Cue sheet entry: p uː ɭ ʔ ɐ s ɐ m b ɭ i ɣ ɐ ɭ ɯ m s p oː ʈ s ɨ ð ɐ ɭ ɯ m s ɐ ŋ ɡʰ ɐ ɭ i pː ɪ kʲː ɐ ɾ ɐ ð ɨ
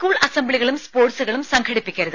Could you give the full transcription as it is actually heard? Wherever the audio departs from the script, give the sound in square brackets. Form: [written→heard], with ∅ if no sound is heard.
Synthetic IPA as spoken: [p→k] uː ɭ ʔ ɐ s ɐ m b ɭ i ɣ ɐ ɭ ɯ m s p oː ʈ s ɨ [ð→ɣ] ɐ ɭ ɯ m s ɐ ŋ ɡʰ ɐ [ɭ→ɽ] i pː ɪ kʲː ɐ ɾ ɐ ð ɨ